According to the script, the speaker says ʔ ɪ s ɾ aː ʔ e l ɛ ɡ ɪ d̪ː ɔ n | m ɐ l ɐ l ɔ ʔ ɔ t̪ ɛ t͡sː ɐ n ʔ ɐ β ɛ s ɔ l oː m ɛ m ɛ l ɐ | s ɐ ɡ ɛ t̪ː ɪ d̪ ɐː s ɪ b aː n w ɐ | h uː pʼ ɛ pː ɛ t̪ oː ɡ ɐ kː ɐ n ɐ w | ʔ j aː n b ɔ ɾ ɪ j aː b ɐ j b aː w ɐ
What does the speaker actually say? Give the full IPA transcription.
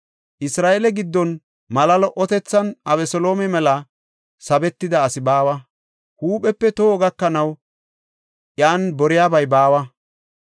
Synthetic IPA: ʔ ɪ s ɾ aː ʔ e l ɛ ɡ ɪ d̪ː ɔ n | m ɐ l ɐ l ɔ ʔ ɔ t̪ ɛ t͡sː ɐ n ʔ ɐ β ɛ s ɔ l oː m ɛ m ɛ l ɐ | s ɐ b ɛ t̪ː ɪ d̪ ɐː s ɪ b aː w ɐ | h uː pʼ ɛ pː ɛ t̪ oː ɡ ɐ kː ɐ n ɐ w | ʔ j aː n b ɔ ɾ ɪ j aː b ɐ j b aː w ɐ